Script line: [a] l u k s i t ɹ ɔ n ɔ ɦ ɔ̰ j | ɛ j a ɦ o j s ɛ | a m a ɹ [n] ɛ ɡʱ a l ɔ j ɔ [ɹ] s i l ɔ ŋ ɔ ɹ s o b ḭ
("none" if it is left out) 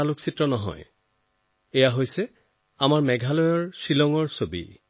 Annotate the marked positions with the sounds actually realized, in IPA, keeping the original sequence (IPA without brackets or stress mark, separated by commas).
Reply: a, m, ɹ